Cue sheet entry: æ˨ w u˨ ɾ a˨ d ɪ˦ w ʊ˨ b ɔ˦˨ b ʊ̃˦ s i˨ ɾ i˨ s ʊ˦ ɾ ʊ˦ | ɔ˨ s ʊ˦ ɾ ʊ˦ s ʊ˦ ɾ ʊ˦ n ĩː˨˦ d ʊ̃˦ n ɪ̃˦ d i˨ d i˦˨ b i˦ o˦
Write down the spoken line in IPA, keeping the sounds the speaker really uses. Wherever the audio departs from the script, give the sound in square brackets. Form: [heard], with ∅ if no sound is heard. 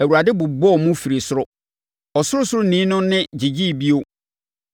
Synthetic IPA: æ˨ w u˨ ɾ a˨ d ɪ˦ [b] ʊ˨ b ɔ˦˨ [m] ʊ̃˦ [f] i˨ ɾ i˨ s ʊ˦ ɾ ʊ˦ | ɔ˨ s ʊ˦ ɾ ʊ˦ s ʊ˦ ɾ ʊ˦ n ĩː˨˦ [n] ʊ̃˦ n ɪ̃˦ [d͡ʑ] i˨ [d͡ʑ] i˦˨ b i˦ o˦